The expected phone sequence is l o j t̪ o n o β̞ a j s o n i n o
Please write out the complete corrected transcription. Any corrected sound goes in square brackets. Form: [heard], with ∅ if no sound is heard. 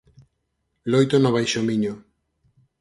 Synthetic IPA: l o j t̪ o n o β̞ a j [ʃ] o [m] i [ɲ] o

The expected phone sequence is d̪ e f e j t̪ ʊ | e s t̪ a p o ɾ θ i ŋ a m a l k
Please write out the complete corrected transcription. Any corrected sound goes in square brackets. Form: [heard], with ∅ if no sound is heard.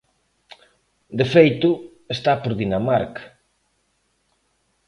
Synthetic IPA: d̪ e f e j t̪ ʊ | e s t̪ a p o ɾ [ð] i [n] a m a [ɾ] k

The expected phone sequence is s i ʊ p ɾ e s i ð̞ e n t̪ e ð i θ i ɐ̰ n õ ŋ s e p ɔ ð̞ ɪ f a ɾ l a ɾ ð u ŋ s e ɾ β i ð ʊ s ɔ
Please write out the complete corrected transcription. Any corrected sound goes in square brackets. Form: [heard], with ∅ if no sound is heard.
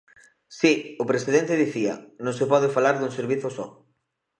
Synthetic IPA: s i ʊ p ɾ e s i ð̞ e n t̪ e ð i θ i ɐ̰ n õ ŋ s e p ɔ ð̞ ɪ f a [∅] l a ɾ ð u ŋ s e ɾ β i [θ] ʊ s ɔ

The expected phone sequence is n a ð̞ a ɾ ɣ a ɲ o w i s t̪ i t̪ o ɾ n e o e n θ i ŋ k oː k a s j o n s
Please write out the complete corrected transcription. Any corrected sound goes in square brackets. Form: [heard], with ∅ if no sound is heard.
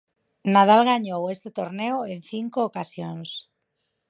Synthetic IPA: n a ð̞ a [l] ɣ a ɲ o w [e] s t̪ [e] t̪ o ɾ n e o e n θ i ŋ k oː k a s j o n s

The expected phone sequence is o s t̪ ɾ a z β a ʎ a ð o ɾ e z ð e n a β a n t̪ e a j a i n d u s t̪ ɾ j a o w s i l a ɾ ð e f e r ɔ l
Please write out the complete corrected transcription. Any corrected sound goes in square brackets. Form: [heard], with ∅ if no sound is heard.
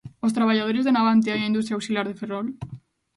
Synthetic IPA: o s t̪ ɾ a [∅] β a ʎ a ð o ɾ e z ð e n a β a n t̪ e a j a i n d u s t̪ ɾ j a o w s i l a ɾ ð e f e r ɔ l

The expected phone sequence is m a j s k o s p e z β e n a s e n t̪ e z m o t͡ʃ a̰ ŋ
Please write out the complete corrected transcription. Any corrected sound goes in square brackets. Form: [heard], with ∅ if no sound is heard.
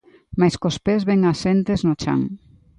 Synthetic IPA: m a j s k o s p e z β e [ŋ] a s e n t̪ e z [n] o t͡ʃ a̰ ŋ

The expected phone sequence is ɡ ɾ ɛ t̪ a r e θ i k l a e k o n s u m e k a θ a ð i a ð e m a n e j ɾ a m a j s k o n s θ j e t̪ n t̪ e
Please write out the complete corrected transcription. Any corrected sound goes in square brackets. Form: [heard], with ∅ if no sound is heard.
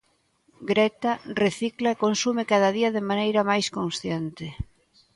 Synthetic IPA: ɡ ɾ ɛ t̪ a r e θ i k l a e k o n s u m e k a [ð] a ð i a ð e m a n e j ɾ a m a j s k o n s θ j e [∅] n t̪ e

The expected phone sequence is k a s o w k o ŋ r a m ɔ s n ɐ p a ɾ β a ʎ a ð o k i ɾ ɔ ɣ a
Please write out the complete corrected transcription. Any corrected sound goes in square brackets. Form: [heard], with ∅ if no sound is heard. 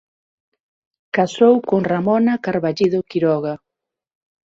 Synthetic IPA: k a s o w k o ŋ r a m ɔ [∅] n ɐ [k] a ɾ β a ʎ [i] ð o k i ɾ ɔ ɣ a

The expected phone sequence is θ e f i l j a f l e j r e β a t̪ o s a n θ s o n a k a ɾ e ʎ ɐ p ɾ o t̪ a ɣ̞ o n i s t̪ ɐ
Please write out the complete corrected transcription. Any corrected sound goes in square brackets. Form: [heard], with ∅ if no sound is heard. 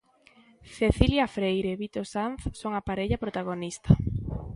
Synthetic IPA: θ e [θ] i l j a f [ɾ] e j [ɾ] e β [i] t̪ o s a n θ s o [ŋ] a [p] a ɾ e ʎ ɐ p ɾ o t̪ a ɣ̞ o n i s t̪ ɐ

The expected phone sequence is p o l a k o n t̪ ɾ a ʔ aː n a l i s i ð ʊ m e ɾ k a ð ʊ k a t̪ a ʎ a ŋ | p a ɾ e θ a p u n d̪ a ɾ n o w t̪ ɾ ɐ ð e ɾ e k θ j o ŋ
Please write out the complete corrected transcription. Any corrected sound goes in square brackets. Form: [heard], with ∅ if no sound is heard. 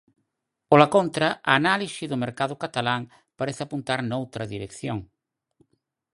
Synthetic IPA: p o l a k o n t̪ ɾ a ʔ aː n a l i s i ð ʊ m e ɾ k a ð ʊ k a t̪ a [l] a ŋ | p a ɾ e θ a p u n [t̪] a ɾ n o w t̪ ɾ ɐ ð [i] ɾ e k θ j o ŋ

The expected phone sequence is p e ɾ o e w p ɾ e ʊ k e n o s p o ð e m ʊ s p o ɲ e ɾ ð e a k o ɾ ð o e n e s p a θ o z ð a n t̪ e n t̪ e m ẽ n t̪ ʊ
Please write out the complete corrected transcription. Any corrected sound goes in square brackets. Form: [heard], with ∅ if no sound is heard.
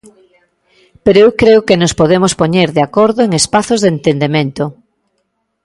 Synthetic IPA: p e ɾ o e w [k] ɾ e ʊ k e n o s p o ð e m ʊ s p o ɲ e ɾ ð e a k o ɾ ð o e [ŋ] e s p a θ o z ð [e] n t̪ e n [d̪] e m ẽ n t̪ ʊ

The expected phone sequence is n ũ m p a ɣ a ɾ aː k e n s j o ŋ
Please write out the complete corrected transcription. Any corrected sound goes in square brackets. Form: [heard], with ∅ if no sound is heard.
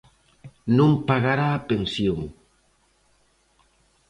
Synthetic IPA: n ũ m p a ɣ a ɾ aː [p] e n s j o ŋ

